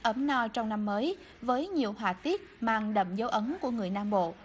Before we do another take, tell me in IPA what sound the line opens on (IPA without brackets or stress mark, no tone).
ʔ